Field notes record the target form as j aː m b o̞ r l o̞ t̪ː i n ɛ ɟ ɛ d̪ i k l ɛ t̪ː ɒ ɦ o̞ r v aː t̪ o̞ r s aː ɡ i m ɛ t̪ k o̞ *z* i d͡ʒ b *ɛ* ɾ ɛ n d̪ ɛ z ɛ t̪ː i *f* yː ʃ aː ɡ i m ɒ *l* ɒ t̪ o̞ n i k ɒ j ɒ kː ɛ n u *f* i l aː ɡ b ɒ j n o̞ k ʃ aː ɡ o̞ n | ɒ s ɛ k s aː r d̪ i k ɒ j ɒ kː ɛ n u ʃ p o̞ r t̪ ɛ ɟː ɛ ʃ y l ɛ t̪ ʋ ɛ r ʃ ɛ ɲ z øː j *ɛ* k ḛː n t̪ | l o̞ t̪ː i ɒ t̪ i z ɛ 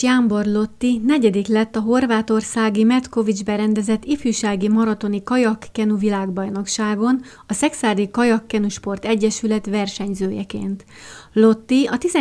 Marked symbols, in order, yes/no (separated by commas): no, yes, yes, no, no, yes